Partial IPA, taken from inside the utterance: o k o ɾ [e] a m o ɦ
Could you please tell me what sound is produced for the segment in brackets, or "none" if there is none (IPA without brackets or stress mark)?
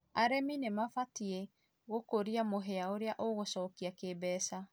i